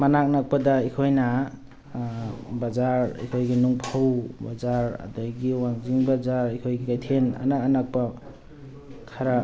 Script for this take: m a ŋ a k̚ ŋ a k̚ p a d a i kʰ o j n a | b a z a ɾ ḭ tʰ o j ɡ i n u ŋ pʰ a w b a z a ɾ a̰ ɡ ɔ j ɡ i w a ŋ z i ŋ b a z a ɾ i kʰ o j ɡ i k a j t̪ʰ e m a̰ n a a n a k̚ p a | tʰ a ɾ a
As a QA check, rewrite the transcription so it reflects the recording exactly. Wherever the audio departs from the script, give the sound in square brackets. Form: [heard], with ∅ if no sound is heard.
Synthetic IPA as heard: m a [n] a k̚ [n] a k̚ p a d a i kʰ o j n a | b a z a ɾ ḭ [kʰ] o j ɡ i n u ŋ pʰ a w b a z a ɾ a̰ [d] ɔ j ɡ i w a ŋ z i ŋ b a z a ɾ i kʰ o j ɡ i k a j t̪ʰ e [n] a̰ n a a n a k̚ p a | [kʰ] a ɾ a